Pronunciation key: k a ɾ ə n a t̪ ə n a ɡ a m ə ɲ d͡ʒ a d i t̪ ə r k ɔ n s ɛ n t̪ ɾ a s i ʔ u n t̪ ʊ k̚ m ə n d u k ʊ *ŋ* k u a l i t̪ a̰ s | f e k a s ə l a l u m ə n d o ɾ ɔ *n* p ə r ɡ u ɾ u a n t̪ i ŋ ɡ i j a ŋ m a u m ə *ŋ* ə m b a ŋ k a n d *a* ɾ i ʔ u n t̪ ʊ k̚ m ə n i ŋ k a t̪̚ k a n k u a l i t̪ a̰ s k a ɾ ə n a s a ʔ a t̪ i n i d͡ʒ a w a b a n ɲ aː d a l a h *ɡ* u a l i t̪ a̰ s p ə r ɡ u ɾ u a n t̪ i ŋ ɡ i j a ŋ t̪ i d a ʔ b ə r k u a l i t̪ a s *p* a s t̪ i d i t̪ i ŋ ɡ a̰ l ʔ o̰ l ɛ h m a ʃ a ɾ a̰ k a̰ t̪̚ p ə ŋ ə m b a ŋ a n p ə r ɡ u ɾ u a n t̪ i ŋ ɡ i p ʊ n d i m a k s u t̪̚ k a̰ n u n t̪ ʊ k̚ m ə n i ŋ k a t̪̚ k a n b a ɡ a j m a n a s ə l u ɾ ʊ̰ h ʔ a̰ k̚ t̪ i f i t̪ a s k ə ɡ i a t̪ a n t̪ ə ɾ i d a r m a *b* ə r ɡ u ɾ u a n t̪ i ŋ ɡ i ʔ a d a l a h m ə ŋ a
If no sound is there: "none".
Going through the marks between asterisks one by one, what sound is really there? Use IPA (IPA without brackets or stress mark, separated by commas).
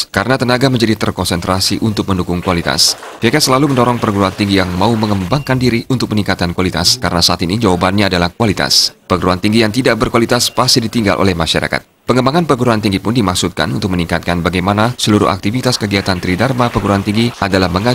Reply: ŋ, ŋ, ŋ, i, k, p, p